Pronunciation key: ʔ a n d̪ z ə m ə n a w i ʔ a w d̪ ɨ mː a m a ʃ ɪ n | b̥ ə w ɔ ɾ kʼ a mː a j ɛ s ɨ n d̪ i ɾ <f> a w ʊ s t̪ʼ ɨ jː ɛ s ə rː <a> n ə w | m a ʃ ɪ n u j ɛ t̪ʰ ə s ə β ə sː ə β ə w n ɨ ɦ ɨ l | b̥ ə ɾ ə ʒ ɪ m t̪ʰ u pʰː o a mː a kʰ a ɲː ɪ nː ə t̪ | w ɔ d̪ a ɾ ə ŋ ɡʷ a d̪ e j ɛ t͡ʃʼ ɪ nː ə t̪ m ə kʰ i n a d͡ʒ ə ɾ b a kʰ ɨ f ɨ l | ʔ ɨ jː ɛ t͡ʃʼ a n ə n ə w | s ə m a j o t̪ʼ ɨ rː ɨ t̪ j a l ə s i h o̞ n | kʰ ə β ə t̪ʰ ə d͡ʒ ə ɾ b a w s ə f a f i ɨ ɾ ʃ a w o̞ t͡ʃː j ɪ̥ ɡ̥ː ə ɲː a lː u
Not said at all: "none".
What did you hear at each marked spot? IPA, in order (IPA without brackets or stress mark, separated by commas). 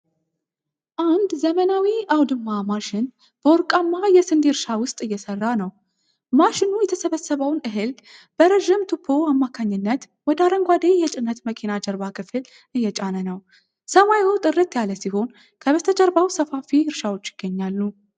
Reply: ʃ, a